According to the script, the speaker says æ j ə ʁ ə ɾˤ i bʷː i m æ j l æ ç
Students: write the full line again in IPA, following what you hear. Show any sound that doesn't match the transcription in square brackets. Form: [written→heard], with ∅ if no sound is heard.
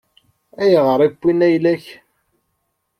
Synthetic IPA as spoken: æ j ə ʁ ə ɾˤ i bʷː i [m→n] æ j l æ ç